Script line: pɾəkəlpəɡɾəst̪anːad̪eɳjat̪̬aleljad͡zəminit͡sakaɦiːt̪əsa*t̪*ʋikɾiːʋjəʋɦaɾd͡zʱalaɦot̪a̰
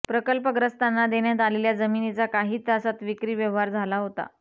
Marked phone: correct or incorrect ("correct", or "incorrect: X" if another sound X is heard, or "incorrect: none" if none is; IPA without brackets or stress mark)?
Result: correct